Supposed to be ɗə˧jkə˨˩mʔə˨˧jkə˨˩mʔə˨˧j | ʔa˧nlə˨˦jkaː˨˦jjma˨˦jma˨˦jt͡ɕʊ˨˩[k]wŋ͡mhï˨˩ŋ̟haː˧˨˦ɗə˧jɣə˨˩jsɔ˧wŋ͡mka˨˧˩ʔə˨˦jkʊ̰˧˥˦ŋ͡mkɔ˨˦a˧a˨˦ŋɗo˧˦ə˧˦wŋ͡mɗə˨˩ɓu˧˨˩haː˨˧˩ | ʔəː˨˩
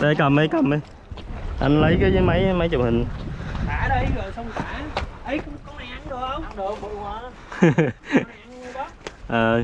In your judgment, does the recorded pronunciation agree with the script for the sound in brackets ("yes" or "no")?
no